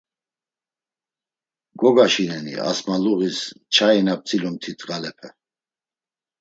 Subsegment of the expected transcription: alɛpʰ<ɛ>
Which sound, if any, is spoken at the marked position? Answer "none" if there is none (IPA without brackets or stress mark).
ɛ